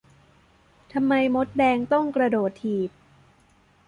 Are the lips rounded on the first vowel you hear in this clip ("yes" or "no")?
no